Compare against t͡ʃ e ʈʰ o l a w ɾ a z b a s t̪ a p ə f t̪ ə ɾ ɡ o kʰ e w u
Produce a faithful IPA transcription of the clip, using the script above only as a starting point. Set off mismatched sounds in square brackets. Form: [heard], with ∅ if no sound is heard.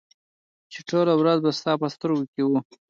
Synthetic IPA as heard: t͡ʃ e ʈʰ o l a w ɾ a z b a s t̪ [ɑ] p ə [s] t̪ ə ɾ ɡ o [k] e w u